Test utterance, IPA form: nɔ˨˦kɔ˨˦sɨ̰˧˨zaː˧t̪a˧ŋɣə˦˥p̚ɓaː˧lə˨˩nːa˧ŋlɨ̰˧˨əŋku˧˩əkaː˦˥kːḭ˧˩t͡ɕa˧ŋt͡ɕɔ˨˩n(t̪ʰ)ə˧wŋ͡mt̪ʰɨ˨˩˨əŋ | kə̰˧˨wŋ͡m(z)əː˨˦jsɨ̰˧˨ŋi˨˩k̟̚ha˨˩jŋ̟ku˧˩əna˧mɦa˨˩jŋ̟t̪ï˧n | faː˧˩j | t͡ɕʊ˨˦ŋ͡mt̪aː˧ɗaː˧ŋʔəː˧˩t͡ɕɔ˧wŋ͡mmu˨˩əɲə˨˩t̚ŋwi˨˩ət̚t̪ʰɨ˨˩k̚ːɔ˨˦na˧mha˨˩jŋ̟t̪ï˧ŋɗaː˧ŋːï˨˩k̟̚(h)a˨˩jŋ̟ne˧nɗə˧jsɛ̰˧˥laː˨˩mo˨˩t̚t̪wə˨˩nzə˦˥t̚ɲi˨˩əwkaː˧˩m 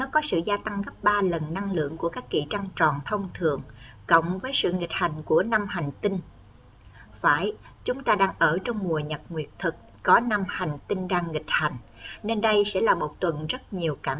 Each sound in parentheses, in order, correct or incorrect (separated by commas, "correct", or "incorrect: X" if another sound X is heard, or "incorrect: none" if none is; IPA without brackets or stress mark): correct, incorrect: v, correct